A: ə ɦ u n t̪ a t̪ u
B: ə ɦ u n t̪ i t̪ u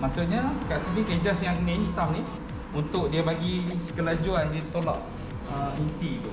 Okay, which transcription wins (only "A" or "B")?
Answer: B